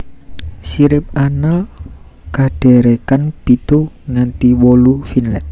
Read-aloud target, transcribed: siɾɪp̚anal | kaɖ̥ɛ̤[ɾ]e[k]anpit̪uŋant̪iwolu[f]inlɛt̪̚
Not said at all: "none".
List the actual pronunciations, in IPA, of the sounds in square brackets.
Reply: ɾ, k, f

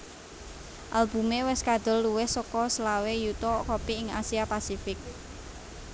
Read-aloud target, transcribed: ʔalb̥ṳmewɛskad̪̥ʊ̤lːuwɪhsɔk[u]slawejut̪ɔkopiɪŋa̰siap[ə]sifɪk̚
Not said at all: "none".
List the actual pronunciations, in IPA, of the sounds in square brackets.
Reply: ɔ, a

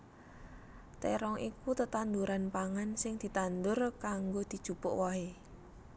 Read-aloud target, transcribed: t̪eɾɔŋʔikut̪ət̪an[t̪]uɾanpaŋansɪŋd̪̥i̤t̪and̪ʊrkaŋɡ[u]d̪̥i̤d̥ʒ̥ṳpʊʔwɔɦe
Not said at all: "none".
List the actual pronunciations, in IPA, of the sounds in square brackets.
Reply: d̪, o

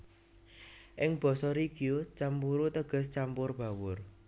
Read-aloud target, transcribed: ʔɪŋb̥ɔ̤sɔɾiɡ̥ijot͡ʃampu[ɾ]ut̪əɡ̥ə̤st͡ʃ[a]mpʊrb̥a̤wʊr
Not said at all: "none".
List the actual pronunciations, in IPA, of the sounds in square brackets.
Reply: ɾ, a

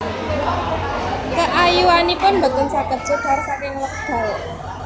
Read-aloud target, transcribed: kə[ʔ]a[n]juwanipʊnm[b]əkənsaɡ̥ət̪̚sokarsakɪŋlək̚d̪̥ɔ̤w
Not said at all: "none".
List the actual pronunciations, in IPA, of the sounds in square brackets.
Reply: ʔ, none, b

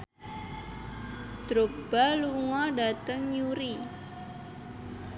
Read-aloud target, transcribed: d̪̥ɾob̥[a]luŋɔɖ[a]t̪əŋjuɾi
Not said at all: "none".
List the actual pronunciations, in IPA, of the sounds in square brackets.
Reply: a, a

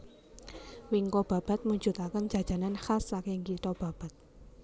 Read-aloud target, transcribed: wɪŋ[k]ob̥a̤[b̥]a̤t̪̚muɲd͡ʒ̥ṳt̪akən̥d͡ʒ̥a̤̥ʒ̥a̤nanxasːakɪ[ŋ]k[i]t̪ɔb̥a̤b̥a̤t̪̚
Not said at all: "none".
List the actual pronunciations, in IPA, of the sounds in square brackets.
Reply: k, b̥, ŋ, i

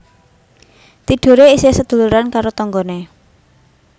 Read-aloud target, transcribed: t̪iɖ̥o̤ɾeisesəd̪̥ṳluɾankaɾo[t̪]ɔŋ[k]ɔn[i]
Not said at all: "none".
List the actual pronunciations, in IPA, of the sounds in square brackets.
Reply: t̪, ɡ, e

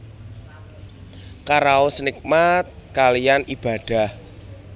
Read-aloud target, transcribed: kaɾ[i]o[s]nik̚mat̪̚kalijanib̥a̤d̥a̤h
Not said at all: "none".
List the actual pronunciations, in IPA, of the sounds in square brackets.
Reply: a, s

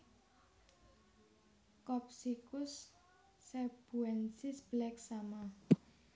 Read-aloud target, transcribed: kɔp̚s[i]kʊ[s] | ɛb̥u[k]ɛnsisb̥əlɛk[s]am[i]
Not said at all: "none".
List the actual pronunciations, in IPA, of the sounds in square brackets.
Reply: i, sː, none, s, a

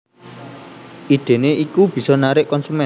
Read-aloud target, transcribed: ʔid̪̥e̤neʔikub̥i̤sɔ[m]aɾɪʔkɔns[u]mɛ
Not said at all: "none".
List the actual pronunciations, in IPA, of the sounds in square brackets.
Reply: n, u

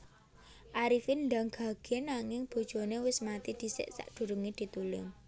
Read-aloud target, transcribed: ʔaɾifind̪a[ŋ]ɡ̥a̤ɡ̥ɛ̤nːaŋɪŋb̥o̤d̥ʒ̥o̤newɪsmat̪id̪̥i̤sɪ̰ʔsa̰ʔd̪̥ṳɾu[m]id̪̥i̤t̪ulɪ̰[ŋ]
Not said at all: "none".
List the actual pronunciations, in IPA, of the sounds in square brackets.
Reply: ŋ, ŋ, ŋ

